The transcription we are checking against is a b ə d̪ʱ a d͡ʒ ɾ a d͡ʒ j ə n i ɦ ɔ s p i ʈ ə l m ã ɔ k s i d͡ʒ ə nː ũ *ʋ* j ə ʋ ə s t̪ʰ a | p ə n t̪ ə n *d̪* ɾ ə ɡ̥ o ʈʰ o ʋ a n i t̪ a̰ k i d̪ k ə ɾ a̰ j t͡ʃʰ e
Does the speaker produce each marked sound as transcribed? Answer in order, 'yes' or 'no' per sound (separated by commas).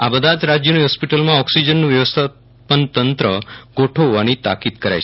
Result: yes, no